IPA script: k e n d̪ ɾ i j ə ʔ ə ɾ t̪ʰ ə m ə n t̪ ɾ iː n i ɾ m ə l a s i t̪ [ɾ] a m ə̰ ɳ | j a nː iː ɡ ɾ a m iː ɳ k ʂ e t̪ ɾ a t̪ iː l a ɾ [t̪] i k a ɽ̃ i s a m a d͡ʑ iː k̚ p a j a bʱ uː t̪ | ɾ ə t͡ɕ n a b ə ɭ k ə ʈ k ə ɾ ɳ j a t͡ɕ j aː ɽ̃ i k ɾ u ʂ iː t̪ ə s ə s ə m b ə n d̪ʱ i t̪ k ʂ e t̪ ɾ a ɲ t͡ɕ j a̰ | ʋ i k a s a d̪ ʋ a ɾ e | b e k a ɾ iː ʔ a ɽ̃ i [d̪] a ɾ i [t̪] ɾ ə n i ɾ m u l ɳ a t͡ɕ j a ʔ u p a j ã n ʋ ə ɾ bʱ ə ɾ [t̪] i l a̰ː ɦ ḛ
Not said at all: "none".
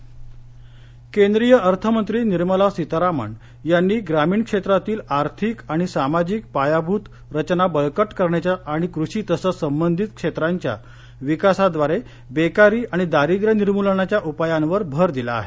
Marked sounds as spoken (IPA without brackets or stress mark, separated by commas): ɾ, t̪ʰ, d̪, d̪, d̪